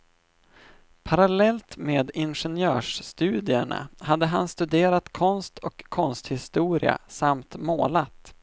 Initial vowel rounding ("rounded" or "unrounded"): unrounded